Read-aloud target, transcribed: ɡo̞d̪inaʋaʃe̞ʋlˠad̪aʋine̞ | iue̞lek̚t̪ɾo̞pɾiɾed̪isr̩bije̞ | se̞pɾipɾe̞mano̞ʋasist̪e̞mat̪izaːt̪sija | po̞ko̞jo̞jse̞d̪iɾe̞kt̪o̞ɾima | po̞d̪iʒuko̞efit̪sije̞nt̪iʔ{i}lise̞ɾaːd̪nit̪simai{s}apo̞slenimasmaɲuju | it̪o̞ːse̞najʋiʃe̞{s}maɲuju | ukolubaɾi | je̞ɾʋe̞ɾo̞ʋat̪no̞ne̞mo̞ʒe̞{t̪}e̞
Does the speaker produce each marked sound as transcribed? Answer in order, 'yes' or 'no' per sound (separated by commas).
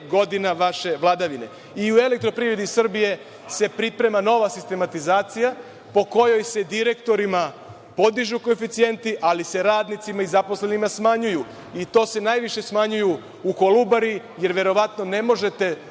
no, no, yes, yes